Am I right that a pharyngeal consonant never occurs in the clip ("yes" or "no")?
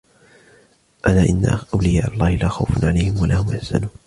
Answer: no